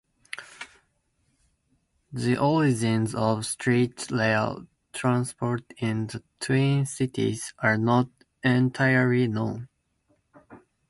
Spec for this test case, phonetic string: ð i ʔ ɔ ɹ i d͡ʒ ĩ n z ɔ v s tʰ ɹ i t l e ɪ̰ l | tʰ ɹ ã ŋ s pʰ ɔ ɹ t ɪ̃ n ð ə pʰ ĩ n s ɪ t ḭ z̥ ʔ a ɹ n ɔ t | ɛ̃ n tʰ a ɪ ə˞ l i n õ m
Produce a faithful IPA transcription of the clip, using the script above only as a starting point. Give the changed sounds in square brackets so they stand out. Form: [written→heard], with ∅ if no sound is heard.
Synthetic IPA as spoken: ð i ʔ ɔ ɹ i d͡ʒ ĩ n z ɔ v s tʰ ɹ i t l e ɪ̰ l | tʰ ɹ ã [ŋ→n] s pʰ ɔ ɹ t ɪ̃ n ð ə [pʰ→tʰ] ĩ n s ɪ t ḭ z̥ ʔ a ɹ n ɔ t | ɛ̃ n tʰ a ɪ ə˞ l i n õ [m→n]

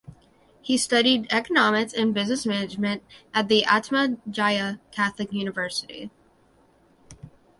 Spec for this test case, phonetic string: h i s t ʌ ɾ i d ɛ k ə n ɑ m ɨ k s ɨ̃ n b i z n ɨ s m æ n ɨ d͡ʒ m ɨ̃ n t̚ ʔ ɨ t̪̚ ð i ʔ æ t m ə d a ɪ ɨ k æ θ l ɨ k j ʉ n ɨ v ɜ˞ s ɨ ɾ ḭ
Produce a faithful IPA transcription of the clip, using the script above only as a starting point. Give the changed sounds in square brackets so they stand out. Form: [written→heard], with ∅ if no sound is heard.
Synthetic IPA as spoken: h i s t ʌ ɾ i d ɛ k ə n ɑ m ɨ k s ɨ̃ n b [i→ɪ] z n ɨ s m æ n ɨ d͡ʒ m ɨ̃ n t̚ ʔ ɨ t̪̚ ð i ʔ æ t m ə [d→d͡ʒ] a ɪ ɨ [k→kʰ] æ θ l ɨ k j ʉ n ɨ v ɜ˞ s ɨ ɾ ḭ

